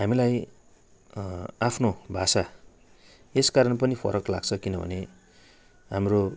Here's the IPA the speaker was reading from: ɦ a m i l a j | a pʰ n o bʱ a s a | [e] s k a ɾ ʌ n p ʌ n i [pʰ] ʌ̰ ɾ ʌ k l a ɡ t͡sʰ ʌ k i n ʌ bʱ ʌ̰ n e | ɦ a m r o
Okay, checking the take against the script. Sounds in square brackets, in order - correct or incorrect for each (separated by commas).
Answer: correct, correct